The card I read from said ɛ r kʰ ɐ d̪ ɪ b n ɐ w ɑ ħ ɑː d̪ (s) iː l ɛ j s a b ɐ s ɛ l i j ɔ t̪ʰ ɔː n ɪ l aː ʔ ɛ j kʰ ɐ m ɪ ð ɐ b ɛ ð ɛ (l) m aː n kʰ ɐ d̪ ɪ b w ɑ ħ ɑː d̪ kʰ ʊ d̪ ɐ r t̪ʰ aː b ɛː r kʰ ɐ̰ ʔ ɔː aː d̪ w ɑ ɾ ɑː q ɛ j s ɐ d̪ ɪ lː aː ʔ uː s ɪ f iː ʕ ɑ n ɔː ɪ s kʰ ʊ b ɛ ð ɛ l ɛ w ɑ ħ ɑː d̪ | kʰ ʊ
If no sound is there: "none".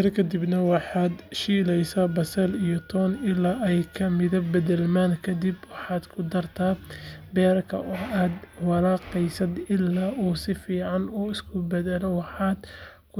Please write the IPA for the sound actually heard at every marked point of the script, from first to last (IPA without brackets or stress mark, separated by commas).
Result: ʃ, l